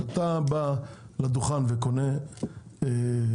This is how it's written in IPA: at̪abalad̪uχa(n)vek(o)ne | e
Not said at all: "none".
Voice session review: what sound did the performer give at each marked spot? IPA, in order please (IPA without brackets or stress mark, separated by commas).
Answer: n, o